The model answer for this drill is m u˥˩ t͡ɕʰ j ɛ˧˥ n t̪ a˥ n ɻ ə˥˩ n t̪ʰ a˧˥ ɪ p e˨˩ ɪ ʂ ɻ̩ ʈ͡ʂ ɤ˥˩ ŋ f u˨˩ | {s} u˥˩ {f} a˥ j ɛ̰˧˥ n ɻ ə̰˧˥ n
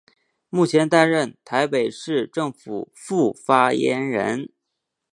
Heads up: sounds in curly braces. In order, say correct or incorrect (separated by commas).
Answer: incorrect, correct